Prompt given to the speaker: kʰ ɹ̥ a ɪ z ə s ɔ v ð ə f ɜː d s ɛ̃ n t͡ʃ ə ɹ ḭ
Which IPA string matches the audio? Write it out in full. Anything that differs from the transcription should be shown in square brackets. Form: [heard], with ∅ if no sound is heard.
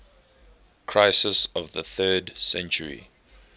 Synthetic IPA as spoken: kʰ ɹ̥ a ɪ [s] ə s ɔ v ð ə [θ] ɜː d s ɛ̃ n t͡ʃ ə ɹ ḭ